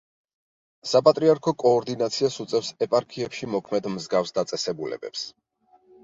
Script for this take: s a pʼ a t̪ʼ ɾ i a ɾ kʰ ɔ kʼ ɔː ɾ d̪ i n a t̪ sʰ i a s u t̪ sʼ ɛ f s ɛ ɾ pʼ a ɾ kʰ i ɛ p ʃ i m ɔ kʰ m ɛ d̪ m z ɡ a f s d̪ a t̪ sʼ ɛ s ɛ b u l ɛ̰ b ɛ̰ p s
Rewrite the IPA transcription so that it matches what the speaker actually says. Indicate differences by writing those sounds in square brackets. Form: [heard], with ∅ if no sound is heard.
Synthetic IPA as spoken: s a pʼ a t̪ʼ ɾ i a ɾ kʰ ɔ kʼ ɔː ɾ d̪ i n a t̪ sʰ i a s u t̪ sʼ ɛ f s ɛ [∅] pʼ a ɾ kʰ i ɛ p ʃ i m ɔ kʰ m ɛ d̪ m z ɡ a f s d̪ a t̪ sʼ ɛ s ɛ b u l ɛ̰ b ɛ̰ p s